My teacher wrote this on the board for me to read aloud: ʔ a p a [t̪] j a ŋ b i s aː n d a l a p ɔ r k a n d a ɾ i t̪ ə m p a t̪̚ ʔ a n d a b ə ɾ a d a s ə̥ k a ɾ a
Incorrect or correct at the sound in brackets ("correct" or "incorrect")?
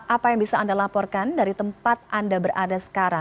incorrect